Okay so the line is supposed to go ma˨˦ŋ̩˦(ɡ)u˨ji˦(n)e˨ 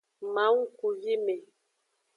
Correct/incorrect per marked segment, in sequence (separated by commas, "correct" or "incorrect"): incorrect, incorrect